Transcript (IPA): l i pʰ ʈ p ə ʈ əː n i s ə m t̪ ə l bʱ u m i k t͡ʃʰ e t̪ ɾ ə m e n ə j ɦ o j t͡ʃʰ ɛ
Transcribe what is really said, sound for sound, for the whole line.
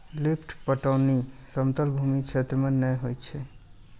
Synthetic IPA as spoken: l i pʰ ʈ p ə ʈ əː n i s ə m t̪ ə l bʱ u m i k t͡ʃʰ e t̪ ɾ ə m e n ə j ɦ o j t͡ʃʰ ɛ